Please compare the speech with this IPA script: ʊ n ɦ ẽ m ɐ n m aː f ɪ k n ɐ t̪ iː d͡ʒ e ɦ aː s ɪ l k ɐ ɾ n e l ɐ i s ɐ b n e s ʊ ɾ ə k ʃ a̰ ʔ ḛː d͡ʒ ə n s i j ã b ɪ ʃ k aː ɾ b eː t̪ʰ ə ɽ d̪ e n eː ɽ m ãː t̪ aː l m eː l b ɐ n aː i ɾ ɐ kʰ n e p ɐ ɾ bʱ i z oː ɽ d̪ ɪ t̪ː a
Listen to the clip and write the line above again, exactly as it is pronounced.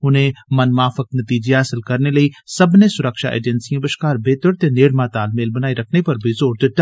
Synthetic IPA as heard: ʊ n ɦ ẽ m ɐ n m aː f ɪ k n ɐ t̪ iː d͡ʒ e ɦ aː s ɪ l k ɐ ɾ n e l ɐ i s ɐ b n e s ʊ ɾ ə k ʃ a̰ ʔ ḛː d͡ʒ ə n s i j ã b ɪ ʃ k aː ɾ b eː t̪ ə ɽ t̪ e n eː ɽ m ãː t̪ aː l m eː l b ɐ n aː i ɾ ɐ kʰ n e p ɐ ɾ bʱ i z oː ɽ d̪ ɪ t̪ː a

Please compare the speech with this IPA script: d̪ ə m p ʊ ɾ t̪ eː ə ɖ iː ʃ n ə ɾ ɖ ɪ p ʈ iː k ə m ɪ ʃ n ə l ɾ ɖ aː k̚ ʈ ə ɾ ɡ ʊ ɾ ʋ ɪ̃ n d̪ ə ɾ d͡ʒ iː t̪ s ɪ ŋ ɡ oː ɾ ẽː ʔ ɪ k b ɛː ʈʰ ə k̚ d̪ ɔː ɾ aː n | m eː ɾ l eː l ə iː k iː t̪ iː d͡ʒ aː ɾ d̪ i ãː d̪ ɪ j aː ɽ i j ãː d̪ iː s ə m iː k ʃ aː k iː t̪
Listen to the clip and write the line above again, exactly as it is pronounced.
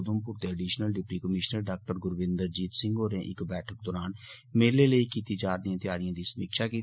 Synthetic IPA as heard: d̪ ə m p ʊ ɾ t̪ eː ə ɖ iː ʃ n ə l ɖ ɪ p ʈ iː k ə m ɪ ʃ n ə ɾ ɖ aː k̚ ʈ ə ɾ ɡ ʊ ɾ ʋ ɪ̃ n d̪ ə ɾ d͡ʒ iː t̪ s ɪ ŋ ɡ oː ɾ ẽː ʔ ɪ k b ɛː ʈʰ ə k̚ d̪ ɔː ɾ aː n | m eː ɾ l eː l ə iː k iː t̪ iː d͡ʒ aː ɾ d̪ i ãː t̪ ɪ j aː ɾ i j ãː d̪ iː s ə m iː k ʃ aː k iː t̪

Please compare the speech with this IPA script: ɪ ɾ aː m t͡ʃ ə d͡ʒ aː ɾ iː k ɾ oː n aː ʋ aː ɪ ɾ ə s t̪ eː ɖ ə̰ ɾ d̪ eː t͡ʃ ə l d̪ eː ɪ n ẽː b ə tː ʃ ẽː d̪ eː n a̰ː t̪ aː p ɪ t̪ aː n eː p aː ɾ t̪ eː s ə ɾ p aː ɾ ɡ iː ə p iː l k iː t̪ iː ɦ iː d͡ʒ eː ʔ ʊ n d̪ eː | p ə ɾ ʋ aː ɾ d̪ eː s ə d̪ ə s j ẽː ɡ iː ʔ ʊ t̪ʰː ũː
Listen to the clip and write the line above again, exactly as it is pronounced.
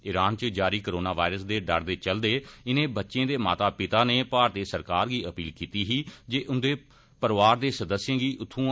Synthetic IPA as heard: ɪ ɾ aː n t͡ʃ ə d͡ʒ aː ɾ iː k ɾ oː n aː ʋ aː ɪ ɾ ə s d̪ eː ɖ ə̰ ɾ d̪ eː t͡ʃ ə l d̪ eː ɪ n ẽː b ə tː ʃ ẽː d̪ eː m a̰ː t̪ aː p ɪ t̪ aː n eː p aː ɾ t̪ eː s ə ɾ k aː ɾ ɡ iː ə p iː l k iː t̪ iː ɦ iː d͡ʒ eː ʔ ʊ n d̪ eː | p ə ɾ ʋ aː ɾ d̪ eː s ə d̪ ə s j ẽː ɡ iː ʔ ʊ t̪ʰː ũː

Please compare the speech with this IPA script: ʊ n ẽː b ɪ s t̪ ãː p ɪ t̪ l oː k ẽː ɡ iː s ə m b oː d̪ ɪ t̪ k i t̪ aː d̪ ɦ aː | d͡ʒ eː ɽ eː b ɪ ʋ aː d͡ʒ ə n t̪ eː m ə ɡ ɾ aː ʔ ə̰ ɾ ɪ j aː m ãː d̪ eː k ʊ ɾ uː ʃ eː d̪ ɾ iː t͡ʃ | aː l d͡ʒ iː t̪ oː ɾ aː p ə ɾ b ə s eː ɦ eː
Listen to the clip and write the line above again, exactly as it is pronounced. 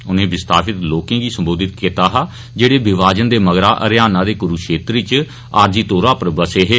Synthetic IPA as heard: ʊ n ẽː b ɪ s t̪ aː p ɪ t̪ l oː k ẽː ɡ iː s ə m b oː d̪ ɪ t̪ k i t̪ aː ɦ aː | d͡ʒ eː ɽ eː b ɪ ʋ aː d͡ʒ ə n d̪ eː m ə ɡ ɾ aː ʔ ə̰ ɾ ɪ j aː n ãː d̪ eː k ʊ ɾ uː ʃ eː t̪ ɾ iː t͡ʃ | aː ɾ d͡ʒ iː t̪ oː ɾ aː p ə ɾ b ə s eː ɦ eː

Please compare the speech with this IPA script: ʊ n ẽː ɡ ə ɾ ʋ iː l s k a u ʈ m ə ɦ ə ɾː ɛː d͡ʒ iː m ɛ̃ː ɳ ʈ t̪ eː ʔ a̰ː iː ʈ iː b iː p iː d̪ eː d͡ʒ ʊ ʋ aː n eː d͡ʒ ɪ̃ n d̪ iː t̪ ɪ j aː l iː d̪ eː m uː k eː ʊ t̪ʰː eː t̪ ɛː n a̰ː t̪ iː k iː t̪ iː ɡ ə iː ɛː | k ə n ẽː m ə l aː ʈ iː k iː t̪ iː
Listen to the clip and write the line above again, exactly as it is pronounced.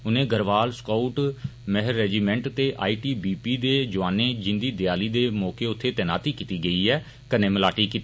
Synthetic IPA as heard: ʊ n ẽː ɡ ə ɾ ʋ aː l s k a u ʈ m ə ɦ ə ɾː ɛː d͡ʒ iː m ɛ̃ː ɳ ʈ t̪ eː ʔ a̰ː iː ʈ iː b iː p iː d̪ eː d͡ʒ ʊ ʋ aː n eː d͡ʒ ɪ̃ n d̪ iː d̪ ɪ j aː l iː d̪ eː m ɔː k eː ʊ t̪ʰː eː t̪ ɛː n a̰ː t̪ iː k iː t̪ iː ɡ ə iː ɛː | k ə n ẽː m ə l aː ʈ iː k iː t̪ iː

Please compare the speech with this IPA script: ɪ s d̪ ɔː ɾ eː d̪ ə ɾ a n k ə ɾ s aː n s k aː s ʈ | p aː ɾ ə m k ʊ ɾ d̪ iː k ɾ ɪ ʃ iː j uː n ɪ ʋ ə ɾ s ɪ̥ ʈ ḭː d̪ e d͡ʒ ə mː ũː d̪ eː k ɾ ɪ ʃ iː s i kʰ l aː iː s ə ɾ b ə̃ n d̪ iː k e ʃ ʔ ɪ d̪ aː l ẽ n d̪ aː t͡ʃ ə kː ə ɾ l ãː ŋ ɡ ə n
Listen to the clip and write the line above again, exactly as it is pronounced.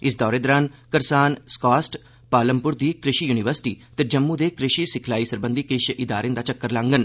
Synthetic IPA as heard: ɪ s d̪ ɔː ɾ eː d̪ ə ɾ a n k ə ɾ s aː n s k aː s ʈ | p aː l ə m p ʊ ɾ d̪ iː k ɾ ɪ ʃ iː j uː n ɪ ʋ ə ɾ s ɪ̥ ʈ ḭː t̪ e d͡ʒ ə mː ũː d̪ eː k ɾ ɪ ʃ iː s ɪ kʰ l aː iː s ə ɾ b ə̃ n d̪ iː k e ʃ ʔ ɪ d̪ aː ɾ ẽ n d̪ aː t͡ʃ ə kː ə ɾ l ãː ŋ ɡ ə n

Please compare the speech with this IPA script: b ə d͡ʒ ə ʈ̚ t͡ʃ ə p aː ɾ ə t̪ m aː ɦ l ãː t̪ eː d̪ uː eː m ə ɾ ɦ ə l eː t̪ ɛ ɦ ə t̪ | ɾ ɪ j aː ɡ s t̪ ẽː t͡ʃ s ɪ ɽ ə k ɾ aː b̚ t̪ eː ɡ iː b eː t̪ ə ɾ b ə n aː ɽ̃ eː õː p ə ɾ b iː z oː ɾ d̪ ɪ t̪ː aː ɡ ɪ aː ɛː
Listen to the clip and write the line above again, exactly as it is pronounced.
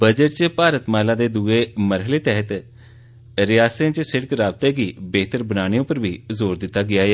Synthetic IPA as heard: b ə d͡ʒ ə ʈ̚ t͡ʃ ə p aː ɾ ə t̪ m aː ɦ l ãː d̪ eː d̪ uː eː m ə ɾ ɦ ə l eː t̪ ɛ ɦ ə t̪ | ɾ ɪ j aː s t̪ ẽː t͡ʃ s ɪ ɽ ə k ɾ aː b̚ t̪ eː ɡ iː b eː t̪ ə ɾ b ə n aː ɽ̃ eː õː p ə ɾ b iː z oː ɾ d̪ ɪ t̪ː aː ɡ ɪ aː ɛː

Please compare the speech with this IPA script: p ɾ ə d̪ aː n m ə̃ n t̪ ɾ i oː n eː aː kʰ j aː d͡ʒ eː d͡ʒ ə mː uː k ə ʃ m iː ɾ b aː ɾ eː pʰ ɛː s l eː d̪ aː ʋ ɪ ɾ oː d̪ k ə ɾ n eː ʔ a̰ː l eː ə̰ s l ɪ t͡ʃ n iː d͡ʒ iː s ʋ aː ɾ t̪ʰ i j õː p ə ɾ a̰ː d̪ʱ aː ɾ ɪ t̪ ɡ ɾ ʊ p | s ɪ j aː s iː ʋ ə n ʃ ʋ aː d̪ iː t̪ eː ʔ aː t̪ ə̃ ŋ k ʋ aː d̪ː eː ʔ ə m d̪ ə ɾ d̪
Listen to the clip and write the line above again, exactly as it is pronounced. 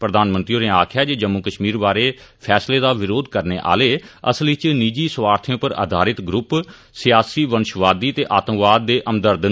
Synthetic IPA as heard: p ɾ ə d̪ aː n m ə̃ n t̪ ɾ i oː n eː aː kʰ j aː d͡ʒ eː d͡ʒ ə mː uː k ə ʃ m iː ɾ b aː ɾ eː pʰ ɛː s l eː d̪ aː ʋ ɪ ɾ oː d̪ k ə ɾ n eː ʔ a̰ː l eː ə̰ s l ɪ t͡ʃ n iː d͡ʒ iː s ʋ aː ɾ t̪ʰ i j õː p ə ɾ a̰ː d̪ʱ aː ɾ ɪ t̪ ɡ ɾ ʊ p | s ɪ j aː s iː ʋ ə n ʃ ʋ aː d̪ iː t̪ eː ʔ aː t̪ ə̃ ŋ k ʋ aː d̪ː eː ʔ ə m d̪ ə ɾ d̪

